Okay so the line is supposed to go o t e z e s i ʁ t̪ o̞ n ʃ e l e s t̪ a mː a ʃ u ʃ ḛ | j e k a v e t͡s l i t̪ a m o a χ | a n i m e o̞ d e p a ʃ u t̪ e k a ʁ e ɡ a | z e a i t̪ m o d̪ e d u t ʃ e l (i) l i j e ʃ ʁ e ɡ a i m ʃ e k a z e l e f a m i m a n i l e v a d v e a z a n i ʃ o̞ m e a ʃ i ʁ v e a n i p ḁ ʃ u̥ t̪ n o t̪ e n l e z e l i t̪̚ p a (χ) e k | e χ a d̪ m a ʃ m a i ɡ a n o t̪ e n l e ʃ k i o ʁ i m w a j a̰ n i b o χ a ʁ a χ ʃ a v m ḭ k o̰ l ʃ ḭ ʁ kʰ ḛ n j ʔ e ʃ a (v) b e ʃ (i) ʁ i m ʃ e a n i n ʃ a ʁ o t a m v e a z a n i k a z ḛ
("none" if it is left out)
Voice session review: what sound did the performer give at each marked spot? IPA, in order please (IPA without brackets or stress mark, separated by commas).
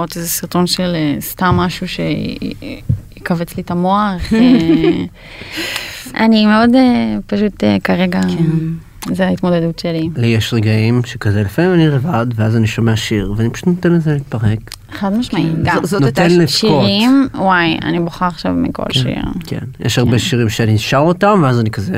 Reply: i, ʁ, ʁ, i